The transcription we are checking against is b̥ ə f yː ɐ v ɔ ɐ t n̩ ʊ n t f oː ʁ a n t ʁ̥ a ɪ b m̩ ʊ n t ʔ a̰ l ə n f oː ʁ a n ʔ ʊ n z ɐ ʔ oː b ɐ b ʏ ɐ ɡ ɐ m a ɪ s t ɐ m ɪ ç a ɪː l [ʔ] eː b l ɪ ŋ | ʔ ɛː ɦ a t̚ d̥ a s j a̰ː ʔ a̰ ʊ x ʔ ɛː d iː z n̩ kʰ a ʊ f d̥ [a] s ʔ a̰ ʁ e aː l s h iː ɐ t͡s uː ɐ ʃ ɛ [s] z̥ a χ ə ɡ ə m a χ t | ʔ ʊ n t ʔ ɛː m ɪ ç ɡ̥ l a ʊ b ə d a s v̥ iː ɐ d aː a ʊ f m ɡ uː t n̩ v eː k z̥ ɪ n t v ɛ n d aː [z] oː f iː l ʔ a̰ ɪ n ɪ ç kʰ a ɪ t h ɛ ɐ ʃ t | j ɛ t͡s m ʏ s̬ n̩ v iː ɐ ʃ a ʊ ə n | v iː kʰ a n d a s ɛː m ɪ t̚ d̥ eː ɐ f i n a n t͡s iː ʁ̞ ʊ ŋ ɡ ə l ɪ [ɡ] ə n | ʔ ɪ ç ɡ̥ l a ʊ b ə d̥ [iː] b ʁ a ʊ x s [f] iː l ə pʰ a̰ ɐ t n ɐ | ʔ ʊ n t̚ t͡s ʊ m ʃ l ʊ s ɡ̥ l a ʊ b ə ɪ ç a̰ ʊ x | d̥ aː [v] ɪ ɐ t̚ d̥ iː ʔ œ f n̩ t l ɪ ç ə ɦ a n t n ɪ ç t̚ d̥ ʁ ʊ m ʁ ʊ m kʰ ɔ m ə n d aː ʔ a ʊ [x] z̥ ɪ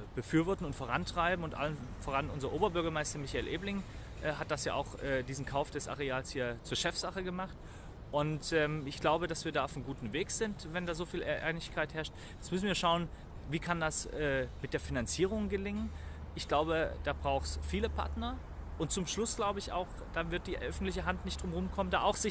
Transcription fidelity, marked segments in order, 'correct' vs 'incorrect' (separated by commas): correct, incorrect, incorrect, correct, incorrect, incorrect, correct, correct, correct